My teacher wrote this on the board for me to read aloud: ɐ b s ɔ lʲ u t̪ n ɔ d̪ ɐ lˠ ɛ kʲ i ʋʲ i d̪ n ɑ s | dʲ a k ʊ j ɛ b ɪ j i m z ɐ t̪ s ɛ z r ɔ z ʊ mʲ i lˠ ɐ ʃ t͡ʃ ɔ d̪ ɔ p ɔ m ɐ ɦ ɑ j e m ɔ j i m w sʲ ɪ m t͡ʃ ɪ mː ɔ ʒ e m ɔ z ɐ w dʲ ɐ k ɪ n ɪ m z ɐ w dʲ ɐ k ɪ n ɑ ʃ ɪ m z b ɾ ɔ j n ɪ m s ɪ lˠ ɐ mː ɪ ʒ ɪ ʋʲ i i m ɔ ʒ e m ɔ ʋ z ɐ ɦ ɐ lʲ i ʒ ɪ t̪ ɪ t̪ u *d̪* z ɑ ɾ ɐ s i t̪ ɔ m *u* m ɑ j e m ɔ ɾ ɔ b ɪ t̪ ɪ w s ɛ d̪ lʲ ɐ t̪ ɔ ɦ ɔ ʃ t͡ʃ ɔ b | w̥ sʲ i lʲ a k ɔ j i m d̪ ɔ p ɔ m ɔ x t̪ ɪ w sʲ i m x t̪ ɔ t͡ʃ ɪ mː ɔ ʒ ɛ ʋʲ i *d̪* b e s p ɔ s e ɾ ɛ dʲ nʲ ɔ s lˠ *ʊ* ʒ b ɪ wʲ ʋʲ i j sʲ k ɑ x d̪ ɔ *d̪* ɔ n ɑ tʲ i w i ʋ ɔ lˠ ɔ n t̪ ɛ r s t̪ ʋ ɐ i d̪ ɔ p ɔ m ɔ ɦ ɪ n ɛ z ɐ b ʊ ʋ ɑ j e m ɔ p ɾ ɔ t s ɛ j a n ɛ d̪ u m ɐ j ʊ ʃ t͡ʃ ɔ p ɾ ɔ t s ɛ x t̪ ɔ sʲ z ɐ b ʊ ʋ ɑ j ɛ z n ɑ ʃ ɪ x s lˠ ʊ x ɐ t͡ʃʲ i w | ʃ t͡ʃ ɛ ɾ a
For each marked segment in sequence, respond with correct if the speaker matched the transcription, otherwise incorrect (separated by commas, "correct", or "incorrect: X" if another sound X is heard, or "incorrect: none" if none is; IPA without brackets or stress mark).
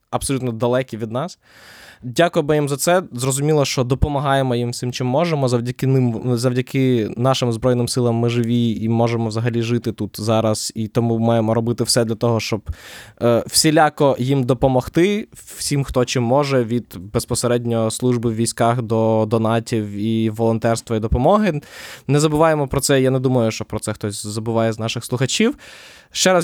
incorrect: t̪, correct, correct, incorrect: u, correct